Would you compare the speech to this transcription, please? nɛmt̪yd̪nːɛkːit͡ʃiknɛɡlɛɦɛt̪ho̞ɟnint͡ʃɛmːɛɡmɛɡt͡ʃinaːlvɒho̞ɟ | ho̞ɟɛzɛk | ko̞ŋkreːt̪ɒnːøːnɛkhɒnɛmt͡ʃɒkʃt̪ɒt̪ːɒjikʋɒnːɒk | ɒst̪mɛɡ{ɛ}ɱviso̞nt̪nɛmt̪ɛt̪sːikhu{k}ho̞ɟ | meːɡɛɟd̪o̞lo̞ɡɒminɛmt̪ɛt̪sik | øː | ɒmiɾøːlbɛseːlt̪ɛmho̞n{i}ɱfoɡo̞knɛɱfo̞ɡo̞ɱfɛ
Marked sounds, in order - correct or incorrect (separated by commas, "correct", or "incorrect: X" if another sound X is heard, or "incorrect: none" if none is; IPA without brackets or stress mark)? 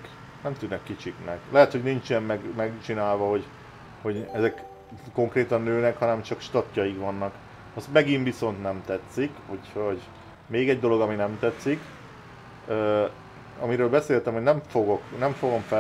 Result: incorrect: i, incorrect: c, incorrect: ɛ